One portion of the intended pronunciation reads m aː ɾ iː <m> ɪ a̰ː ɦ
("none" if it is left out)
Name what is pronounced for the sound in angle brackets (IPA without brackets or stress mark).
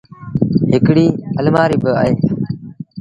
b